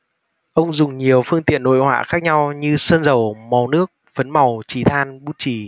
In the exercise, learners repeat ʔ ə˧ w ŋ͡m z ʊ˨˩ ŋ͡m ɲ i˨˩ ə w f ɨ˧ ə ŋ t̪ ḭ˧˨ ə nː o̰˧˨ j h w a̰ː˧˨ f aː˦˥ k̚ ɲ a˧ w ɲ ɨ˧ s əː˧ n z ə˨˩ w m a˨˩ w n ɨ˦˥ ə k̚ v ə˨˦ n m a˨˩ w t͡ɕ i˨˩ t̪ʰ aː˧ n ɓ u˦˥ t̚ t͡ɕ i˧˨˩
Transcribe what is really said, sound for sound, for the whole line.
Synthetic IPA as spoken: ʔ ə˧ w ŋ͡m z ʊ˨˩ ŋ͡m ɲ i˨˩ ə w f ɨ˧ ə ŋ t̪ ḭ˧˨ ə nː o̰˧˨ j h w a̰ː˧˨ x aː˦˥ k̚ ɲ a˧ w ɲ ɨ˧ s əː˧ n z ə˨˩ w m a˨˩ w n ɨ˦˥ ə k̚ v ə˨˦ n m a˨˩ w t͡ɕ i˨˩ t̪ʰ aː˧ n ɓ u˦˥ t̚ t͡ɕ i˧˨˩